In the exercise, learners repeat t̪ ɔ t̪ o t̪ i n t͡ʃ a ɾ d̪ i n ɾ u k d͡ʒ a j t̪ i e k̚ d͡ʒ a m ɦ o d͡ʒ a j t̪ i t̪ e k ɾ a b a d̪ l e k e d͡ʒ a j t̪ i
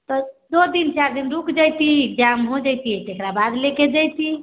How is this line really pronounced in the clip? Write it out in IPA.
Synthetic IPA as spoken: t̪ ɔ d̪ o d̪ i n t͡ʃ a ɾ d̪ i n ɾ u k d͡ʒ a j t̪ i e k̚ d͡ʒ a m ɦ o d͡ʒ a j t̪ i t̪ e k ɾ a b a d̪ l e k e d͡ʒ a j t̪ i